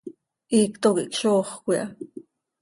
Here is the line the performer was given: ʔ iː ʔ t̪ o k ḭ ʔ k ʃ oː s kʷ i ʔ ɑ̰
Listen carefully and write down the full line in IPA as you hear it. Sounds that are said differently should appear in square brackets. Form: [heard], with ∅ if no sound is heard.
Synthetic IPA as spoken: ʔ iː [k] t̪ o k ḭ ʔ k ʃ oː [χ] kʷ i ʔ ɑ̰